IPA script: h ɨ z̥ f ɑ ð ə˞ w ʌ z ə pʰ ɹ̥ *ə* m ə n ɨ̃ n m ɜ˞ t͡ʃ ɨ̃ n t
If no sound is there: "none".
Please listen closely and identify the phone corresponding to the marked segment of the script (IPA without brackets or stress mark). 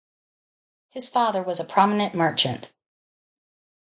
ɑ